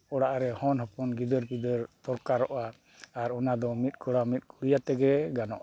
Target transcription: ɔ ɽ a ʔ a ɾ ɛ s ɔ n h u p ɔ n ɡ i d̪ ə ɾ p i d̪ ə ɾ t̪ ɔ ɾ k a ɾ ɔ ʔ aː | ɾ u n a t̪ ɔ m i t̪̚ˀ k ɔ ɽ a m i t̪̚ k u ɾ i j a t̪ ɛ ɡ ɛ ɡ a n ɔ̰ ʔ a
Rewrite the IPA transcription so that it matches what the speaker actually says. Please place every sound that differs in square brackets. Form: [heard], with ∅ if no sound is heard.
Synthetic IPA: ɔ ɽ a ʔ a ɾ ɛ [h] ɔ n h [ɔ] p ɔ n ɡ i d̪ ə ɾ p i d̪ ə ɾ t̪ ɔ ɾ k a ɾ ɔ ʔ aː | ɾ [ɔ] n a [d̪] ɔ m i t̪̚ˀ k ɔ ɽ a m i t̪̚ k u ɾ i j a t̪ ɛ ɡ ɛ ɡ a n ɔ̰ ʔ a